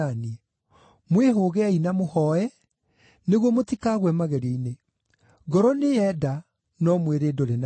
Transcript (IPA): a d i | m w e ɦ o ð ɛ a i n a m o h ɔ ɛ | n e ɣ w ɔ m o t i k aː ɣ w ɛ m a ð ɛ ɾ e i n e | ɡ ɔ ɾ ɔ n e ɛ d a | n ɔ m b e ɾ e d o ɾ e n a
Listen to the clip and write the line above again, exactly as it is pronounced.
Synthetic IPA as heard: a n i | m w e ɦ o ɣ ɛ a i n a m o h ɔ ɛ | n e ɣ w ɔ m o t i k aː ɣ w ɛ m a ɣ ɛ ɾ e i n e | ɡ ɔ ɾ ɔ n e ɛ d a | n ɔ m w e ɾ e d o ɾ e n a